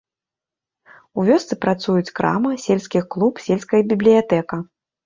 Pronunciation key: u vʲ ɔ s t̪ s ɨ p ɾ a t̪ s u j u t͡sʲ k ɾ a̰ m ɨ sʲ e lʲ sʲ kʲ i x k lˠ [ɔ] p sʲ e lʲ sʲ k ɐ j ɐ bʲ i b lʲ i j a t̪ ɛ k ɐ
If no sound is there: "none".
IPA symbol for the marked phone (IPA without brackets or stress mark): u